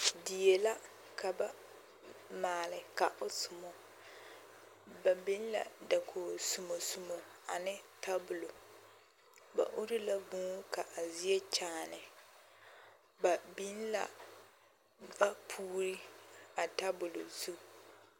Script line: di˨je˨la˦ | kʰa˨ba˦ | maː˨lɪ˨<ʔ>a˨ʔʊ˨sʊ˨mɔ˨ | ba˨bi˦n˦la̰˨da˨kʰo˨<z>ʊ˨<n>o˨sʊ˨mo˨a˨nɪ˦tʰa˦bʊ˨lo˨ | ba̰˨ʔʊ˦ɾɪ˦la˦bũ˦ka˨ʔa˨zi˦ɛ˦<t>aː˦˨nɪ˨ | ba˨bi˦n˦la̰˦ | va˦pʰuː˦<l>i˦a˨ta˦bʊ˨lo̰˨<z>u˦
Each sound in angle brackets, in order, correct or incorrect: incorrect: k, incorrect: s, incorrect: m, incorrect: t͡ʃ, incorrect: ɾ, correct

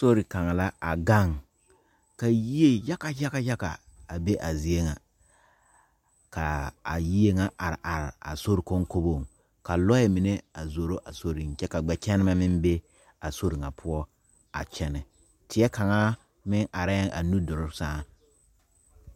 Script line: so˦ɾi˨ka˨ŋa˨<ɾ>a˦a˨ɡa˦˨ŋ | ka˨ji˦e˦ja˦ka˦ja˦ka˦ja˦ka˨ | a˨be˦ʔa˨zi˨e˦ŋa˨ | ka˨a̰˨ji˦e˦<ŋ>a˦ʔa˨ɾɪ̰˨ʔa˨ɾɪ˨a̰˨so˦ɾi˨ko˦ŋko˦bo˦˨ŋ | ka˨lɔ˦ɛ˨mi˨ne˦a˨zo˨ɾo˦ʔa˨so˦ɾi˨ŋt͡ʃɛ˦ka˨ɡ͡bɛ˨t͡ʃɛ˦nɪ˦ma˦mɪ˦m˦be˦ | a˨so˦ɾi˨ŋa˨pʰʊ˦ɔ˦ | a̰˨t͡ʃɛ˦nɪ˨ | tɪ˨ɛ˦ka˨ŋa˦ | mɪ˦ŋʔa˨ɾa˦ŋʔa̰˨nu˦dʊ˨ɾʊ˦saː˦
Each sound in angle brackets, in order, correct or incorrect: incorrect: l, correct

